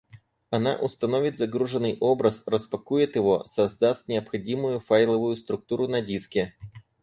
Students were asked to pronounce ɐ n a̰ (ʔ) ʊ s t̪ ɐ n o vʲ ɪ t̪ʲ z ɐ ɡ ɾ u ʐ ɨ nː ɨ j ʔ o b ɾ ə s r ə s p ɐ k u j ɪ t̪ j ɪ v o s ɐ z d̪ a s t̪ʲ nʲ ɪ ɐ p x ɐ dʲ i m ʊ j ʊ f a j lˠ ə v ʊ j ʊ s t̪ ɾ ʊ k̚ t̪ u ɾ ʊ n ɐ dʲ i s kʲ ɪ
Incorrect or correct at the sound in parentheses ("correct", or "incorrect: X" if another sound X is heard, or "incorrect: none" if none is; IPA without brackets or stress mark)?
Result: correct